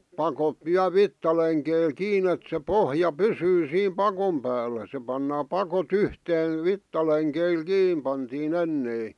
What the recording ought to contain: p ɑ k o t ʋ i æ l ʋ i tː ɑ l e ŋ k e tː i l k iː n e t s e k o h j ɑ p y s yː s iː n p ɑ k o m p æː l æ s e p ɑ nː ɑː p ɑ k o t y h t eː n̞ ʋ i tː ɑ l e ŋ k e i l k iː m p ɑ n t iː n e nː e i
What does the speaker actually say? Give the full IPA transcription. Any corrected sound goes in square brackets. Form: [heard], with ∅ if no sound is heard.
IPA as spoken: p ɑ k o t ʋ i æ l ʋ i tː ɑ l e ŋ k e [∅] i l k iː n e t s e [p] o h j ɑ p y s yː s iː [m] p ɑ k o m p æː [lː] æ s e p ɑ nː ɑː p ɑ k o t y h t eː n̞ ʋ i tː ɑ l e ŋ k e i l k iː m p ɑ n t iː n e nː e i